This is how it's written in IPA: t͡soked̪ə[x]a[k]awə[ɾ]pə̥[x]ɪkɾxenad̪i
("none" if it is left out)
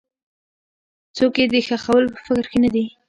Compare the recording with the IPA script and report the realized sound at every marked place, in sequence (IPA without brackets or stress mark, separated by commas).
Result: x, x, l, f